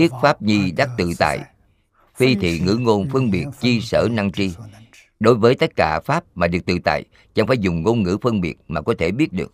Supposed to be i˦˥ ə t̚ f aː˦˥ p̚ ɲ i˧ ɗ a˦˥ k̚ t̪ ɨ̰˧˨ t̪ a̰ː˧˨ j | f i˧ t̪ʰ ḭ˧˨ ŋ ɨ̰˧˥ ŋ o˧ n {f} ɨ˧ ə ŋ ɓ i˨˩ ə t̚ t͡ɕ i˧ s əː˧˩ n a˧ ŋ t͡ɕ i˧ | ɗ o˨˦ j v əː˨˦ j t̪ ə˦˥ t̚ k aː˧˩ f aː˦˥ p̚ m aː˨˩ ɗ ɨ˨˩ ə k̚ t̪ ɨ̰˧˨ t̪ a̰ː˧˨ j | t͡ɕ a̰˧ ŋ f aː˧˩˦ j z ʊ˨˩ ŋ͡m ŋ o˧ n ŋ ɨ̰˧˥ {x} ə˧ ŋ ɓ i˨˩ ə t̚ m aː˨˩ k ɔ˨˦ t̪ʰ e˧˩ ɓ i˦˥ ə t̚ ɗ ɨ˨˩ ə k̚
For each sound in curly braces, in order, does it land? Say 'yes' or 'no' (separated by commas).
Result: yes, no